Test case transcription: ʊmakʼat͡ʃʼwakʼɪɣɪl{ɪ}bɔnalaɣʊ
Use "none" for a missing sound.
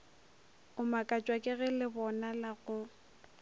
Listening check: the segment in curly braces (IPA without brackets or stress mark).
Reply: ɪ